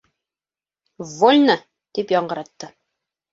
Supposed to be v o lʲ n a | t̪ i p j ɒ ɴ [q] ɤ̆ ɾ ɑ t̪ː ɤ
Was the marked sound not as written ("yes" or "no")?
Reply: yes